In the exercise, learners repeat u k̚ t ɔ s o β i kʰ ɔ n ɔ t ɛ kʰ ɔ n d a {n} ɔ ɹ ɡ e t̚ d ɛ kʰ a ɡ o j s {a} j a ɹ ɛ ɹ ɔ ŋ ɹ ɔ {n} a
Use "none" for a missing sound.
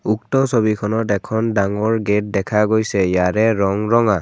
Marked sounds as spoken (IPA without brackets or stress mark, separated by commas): ŋ, ɛ, ŋ